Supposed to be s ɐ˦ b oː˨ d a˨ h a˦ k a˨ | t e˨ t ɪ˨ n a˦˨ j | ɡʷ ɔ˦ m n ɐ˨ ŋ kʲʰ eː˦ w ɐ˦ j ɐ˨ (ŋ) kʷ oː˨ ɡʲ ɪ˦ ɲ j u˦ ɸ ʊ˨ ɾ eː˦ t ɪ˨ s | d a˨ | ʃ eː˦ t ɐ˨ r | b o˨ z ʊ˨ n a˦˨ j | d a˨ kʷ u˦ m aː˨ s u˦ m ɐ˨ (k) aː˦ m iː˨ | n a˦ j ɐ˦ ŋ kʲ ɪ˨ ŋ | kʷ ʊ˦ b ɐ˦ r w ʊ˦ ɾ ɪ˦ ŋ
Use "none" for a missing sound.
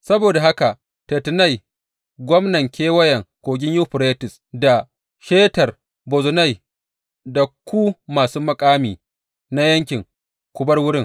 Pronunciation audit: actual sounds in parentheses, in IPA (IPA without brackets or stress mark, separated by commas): ŋ, kʼ